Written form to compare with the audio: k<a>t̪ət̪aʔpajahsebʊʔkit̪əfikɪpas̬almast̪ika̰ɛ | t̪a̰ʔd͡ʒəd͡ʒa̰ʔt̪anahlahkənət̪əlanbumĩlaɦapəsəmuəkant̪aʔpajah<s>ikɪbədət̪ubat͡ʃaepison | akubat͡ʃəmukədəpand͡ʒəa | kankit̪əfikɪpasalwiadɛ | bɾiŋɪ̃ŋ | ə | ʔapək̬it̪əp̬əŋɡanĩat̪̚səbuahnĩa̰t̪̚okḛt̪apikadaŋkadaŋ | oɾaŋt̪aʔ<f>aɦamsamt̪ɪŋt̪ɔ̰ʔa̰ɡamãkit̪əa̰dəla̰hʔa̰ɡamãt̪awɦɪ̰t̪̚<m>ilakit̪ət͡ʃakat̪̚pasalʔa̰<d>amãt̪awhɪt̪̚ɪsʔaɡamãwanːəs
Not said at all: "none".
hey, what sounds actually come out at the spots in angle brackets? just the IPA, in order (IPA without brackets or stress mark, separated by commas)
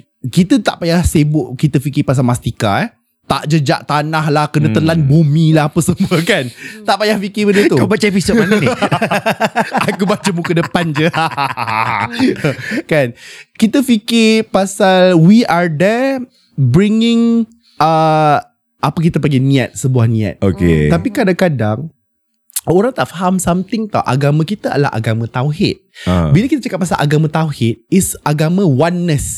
i, f, f, b, ɡ